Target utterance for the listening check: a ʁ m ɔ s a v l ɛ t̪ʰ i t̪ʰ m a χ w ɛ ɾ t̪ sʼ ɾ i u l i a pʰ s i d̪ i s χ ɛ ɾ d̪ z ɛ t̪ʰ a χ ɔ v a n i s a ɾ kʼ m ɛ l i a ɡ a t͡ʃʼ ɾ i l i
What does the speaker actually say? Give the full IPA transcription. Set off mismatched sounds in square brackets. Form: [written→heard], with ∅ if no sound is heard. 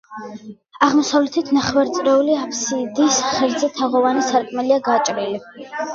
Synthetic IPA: a ʁ m ɔ s a v l ɛ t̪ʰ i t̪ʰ [m→n] a χ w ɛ ɾ t̪ sʼ ɾ [i→ɛ] u l i a pʰ s i d̪ i s χ ɛ ɾ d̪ z ɛ t̪ʰ a [χ→ʁ] ɔ v a n i s a ɾ kʼ m ɛ l i a ɡ a t͡ʃʼ ɾ i l i